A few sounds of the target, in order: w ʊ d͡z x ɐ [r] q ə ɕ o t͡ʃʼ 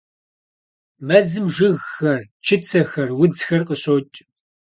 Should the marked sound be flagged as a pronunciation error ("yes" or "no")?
no